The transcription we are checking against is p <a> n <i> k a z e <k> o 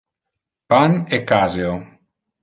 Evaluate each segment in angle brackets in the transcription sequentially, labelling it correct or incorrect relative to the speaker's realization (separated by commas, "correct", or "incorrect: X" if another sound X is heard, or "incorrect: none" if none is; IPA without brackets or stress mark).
correct, incorrect: e, incorrect: none